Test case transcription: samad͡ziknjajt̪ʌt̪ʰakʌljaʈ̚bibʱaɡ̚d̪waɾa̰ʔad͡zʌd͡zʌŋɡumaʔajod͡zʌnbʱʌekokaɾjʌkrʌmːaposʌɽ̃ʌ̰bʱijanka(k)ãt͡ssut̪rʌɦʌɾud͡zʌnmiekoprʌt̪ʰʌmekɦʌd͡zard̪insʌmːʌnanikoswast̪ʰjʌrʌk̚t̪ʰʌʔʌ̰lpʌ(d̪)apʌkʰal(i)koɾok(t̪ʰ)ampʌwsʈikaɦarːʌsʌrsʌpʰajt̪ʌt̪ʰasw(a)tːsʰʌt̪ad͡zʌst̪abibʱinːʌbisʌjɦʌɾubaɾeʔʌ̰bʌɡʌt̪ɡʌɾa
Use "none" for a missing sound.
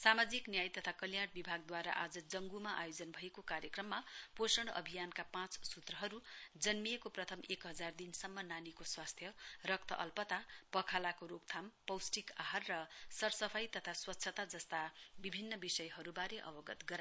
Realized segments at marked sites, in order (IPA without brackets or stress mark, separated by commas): p, t̪, a, t̪ʰ, ʌ